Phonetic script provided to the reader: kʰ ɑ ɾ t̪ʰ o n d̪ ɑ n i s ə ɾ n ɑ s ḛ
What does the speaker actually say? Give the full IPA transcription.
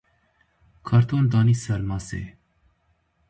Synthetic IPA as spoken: kʰ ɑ ɾ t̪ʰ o n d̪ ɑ n i s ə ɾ m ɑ s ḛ